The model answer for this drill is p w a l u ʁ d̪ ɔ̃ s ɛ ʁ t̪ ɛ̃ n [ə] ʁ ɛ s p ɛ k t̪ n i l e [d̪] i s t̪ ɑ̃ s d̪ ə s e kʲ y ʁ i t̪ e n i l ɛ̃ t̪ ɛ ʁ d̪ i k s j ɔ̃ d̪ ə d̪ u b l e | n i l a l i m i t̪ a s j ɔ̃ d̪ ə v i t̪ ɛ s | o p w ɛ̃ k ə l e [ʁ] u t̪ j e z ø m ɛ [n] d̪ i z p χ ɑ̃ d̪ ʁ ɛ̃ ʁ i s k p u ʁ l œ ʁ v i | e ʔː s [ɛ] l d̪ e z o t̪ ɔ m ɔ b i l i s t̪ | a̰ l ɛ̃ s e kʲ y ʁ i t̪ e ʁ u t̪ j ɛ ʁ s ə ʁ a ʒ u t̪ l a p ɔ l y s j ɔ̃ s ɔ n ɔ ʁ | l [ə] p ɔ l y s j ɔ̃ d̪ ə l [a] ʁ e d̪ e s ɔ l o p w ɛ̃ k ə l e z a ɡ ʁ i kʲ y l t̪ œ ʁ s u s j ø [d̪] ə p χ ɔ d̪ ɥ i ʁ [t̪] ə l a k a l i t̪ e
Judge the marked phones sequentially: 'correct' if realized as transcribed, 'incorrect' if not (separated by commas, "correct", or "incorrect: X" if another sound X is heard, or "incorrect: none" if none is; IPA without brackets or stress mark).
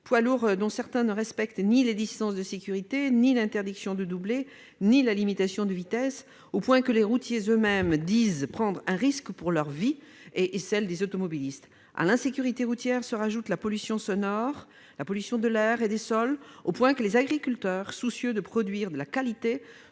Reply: correct, correct, correct, incorrect: m, correct, incorrect: a, incorrect: ɛ, correct, incorrect: d̪